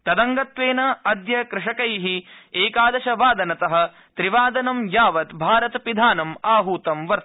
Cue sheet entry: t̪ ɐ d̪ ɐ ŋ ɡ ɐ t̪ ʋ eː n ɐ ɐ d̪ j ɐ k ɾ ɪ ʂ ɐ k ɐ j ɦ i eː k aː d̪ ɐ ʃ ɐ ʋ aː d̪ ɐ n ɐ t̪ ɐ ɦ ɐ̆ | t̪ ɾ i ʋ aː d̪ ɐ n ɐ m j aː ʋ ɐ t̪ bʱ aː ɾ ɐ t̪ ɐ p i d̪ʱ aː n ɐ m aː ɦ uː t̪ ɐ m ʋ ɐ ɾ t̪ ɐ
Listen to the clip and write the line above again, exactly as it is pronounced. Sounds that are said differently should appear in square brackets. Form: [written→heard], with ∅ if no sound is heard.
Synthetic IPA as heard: t̪ ɐ d̪ ɐ ŋ ɡ ɐ t̪ ʋ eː n ɐ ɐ d̪ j ɐ k ɾ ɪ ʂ ɐ k ɐ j ɦ i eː k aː d̪ ɐ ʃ ɐ ʋ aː d̪ ɐ n ɐ t̪ ɐ ɦ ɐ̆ | t̪ ɾ i ʋ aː d̪ ɐ n ɐ m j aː ʋ ɐ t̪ bʱ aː ɾ ɐ t̪ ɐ p i d̪ʱ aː n ɐ m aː ɦ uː t̪ ɐ m ʋ ɐ ɾ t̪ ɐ